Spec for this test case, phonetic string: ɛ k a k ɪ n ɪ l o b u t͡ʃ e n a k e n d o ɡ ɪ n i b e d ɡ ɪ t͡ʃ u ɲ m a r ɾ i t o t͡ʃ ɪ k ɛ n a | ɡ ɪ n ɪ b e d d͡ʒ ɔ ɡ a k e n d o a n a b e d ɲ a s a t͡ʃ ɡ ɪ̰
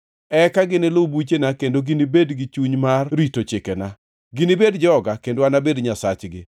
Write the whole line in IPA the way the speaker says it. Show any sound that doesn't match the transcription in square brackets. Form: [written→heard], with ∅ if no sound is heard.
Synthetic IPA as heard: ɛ k a [k→ɡ] ɪ n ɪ l o b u t͡ʃ e n a k e n d o ɡ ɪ n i b e d ɡ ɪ t͡ʃ u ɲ m a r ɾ i t o t͡ʃ ɪ k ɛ n a | ɡ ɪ n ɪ b e d d͡ʒ ɔ ɡ a k e n d o a n a b e d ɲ a s a t͡ʃ ɡ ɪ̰